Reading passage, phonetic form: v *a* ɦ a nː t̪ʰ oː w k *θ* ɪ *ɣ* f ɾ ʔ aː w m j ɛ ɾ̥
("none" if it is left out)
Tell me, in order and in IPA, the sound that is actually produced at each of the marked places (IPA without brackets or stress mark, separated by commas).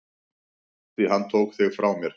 i, θ, ɣ